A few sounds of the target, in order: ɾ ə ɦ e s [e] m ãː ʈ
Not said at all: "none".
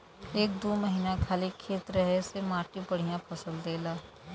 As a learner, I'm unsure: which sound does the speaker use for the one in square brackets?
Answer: e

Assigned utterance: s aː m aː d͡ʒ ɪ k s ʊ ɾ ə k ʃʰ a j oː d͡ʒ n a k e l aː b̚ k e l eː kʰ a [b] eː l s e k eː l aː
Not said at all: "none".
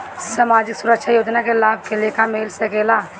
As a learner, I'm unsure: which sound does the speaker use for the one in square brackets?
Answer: m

